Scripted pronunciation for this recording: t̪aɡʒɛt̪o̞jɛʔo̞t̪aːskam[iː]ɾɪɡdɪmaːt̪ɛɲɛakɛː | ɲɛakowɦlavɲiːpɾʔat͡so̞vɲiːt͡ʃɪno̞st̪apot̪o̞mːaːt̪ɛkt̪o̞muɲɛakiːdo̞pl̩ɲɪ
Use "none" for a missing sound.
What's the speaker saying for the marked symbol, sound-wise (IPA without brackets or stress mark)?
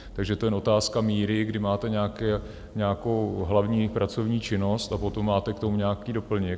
iː